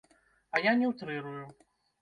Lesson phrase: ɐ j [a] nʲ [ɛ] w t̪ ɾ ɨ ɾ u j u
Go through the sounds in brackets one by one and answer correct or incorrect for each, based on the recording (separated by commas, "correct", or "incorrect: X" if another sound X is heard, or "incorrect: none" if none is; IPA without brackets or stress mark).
correct, correct